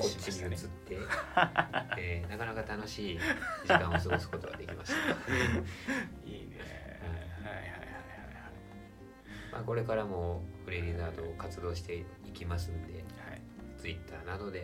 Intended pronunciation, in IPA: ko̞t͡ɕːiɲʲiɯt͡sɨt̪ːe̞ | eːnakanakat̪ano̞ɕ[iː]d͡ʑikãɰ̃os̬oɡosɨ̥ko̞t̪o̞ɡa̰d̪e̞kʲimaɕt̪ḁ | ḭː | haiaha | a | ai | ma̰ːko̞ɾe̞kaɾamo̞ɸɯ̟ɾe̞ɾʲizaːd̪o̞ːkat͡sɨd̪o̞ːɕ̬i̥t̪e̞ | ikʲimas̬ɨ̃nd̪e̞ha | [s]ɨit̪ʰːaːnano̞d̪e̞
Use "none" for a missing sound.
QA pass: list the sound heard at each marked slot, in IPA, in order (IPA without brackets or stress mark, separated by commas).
iː, t͡s